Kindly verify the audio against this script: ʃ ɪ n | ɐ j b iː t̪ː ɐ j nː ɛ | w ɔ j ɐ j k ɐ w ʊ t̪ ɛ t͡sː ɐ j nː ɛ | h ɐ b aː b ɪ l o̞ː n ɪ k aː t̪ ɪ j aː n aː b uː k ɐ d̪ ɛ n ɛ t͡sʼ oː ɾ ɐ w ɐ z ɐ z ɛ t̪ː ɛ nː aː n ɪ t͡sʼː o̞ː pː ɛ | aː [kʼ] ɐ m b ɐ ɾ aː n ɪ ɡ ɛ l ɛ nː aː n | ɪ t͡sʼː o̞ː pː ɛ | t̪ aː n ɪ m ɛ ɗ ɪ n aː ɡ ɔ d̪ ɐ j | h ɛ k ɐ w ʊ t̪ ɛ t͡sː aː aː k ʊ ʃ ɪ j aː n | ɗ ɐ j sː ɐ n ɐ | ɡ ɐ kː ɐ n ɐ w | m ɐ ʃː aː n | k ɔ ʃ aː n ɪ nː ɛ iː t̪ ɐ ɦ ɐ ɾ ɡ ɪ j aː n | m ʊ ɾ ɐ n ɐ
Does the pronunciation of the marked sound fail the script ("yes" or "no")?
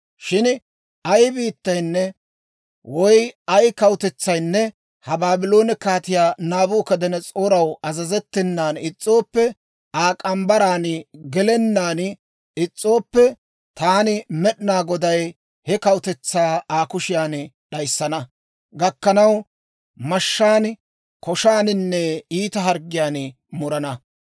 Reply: no